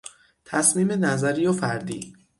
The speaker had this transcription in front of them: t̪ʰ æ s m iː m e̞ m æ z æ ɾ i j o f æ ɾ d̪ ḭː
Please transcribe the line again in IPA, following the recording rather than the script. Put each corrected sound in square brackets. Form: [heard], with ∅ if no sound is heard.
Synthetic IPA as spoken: t̪ʰ æ s m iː m e̞ [n] æ z æ ɾ i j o f æ ɾ d̪ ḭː